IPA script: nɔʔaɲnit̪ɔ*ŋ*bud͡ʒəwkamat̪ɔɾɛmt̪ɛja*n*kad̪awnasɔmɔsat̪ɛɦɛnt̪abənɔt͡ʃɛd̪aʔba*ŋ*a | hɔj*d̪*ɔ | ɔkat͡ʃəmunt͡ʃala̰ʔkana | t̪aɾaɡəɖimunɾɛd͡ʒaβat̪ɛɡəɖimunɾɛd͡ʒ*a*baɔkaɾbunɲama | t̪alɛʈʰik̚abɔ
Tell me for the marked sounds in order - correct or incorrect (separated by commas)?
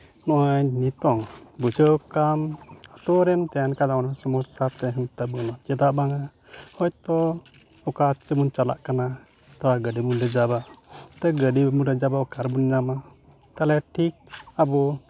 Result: correct, correct, correct, incorrect, correct